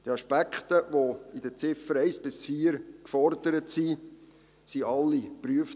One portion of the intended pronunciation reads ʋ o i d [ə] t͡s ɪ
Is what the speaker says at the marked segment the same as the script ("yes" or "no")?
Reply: yes